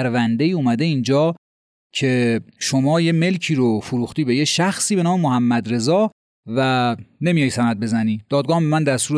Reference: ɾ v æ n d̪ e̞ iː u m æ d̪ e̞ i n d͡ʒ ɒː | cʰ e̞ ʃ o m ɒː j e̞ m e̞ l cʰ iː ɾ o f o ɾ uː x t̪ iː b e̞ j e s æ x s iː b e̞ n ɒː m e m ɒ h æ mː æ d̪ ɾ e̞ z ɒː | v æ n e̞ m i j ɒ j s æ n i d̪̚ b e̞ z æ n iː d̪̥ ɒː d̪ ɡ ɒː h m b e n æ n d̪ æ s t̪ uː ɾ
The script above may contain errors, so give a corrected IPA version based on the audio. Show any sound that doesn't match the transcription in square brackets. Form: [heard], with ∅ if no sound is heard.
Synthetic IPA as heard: ɾ v æ n d̪ e̞ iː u m æ d̪ e̞ i n d͡ʒ ɒː | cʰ e̞ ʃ o m ɒː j e̞ m e̞ l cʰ iː ɾ o f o ɾ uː x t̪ iː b e̞ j e [ʃ] æ x s iː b e̞ n ɒː m e m [o] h æ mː æ d̪ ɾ e̞ z ɒː | v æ n e̞ m i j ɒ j s æ n [æ] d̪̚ b e̞ z æ n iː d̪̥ ɒː d̪ ɡ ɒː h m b e [m] æ n d̪ æ s t̪ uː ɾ